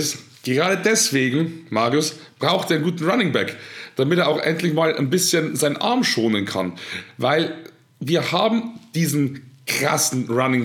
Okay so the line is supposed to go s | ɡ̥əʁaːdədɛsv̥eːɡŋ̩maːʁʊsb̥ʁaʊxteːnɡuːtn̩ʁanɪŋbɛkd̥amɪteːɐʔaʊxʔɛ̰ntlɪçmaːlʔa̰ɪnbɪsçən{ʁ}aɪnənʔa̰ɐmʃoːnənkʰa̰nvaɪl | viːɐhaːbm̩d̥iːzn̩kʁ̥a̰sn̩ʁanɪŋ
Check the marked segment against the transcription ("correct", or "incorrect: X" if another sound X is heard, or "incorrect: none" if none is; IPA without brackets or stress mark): incorrect: z